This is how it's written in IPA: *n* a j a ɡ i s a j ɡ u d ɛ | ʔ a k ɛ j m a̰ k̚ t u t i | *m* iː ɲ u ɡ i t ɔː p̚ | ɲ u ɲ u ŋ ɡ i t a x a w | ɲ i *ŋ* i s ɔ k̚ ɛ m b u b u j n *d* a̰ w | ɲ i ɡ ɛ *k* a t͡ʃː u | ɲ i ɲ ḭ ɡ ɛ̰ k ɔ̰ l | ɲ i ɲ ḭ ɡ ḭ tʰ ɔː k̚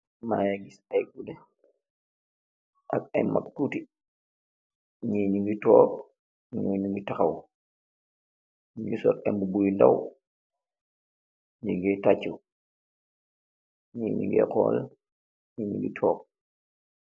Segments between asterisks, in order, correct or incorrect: incorrect: m, incorrect: ɲ, incorrect: ɡ, correct, incorrect: t

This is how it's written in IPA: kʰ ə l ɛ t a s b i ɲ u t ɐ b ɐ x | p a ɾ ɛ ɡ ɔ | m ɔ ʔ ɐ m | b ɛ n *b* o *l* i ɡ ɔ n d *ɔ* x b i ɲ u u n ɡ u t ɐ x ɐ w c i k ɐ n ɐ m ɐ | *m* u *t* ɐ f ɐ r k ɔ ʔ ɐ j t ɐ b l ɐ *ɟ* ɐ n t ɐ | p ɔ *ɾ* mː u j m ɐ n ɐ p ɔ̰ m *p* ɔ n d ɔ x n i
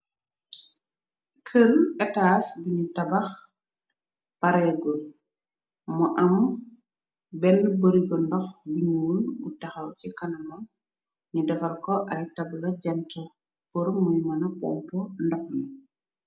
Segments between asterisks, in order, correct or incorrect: correct, incorrect: ɾ, correct, incorrect: ɲ, incorrect: d, correct, correct, correct

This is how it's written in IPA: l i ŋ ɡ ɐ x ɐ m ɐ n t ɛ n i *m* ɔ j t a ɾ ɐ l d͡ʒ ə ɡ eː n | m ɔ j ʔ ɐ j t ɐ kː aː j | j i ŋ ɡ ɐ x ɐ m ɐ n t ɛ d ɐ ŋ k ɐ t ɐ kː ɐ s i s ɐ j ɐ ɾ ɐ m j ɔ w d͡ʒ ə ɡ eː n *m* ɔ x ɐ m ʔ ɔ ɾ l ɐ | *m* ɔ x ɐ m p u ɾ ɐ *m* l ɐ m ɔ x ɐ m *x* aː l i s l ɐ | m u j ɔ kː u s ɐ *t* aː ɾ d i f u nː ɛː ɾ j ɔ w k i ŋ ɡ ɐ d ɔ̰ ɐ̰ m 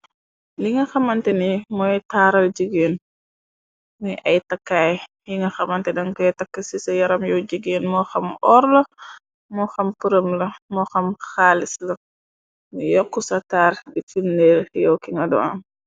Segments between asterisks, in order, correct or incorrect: correct, correct, correct, correct, correct, correct

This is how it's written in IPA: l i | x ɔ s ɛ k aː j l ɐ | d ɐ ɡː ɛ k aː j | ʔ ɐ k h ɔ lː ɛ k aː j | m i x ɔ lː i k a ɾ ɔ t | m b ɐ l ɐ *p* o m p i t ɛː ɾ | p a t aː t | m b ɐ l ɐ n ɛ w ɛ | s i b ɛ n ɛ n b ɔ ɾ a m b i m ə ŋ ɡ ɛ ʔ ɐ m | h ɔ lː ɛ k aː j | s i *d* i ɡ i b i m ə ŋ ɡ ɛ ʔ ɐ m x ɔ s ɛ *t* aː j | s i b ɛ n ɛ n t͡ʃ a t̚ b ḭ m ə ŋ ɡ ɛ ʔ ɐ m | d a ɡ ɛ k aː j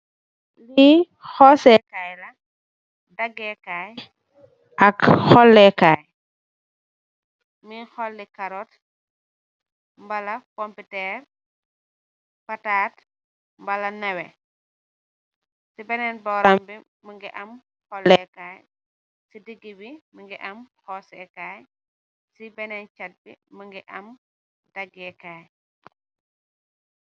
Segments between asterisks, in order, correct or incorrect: incorrect: k, correct, incorrect: k

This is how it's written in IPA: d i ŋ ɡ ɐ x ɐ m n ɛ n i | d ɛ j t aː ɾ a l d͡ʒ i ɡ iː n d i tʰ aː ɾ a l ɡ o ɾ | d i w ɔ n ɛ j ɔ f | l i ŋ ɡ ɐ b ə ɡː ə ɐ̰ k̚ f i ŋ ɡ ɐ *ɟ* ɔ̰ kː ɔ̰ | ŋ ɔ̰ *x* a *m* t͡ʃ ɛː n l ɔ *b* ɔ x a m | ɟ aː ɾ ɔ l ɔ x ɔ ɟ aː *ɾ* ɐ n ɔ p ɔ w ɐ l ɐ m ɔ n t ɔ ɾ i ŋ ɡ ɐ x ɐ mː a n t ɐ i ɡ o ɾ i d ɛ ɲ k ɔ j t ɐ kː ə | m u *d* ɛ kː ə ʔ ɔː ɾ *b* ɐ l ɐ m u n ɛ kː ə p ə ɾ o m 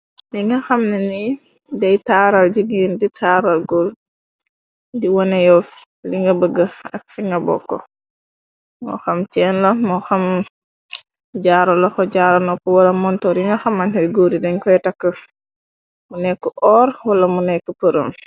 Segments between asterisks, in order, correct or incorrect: incorrect: b, correct, correct, incorrect: m, correct, incorrect: n, incorrect: w

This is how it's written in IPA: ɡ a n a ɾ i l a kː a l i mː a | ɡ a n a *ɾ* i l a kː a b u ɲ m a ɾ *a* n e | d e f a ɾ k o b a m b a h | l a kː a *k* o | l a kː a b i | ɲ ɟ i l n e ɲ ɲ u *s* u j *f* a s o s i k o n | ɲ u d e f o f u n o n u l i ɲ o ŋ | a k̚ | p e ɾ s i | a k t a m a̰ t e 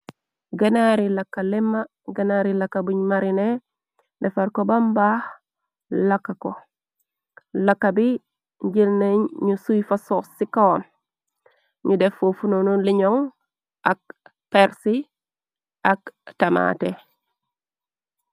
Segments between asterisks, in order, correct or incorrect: correct, incorrect: i, correct, correct, correct

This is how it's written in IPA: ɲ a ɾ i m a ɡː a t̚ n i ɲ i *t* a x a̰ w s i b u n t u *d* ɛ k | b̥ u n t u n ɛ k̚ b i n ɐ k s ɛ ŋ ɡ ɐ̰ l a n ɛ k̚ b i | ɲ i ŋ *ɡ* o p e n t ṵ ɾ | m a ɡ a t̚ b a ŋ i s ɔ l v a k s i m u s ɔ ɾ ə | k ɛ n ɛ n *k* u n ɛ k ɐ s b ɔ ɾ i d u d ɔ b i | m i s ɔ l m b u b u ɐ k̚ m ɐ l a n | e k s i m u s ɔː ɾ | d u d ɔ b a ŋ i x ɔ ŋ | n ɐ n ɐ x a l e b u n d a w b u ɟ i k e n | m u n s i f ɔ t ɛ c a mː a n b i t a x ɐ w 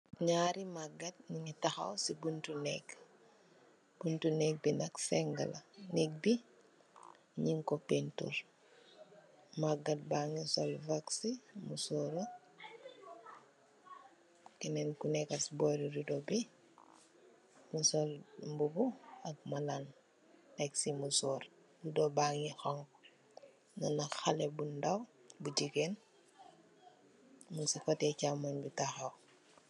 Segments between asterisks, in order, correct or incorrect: correct, incorrect: n, incorrect: k, correct

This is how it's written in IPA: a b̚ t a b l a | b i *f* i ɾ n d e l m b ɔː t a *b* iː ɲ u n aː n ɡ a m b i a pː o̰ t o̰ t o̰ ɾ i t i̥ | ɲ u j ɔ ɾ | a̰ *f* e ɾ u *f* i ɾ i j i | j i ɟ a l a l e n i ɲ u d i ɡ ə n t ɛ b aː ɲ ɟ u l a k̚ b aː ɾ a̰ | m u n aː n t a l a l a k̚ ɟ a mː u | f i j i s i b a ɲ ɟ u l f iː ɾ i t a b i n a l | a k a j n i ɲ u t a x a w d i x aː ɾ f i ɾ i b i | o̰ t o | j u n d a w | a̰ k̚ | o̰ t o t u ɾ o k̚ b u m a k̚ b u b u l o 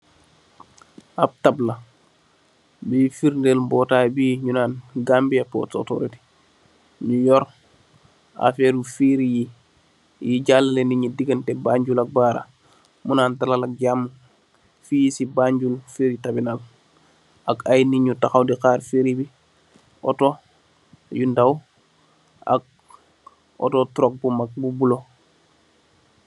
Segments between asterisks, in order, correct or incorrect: correct, correct, correct, correct

